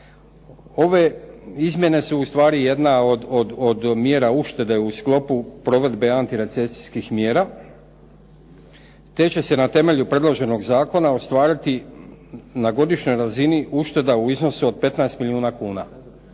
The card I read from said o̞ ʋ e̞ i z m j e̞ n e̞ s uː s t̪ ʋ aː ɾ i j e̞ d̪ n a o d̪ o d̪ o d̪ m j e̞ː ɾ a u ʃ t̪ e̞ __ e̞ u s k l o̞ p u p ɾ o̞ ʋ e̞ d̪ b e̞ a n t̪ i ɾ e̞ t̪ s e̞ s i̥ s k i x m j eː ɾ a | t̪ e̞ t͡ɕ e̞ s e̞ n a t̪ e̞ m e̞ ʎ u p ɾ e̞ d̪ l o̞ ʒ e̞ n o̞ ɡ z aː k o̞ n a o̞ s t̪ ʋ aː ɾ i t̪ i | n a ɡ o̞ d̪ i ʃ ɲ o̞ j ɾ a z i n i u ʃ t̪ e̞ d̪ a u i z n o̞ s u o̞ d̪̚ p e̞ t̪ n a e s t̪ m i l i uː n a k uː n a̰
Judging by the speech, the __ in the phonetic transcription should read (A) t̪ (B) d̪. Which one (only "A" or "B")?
B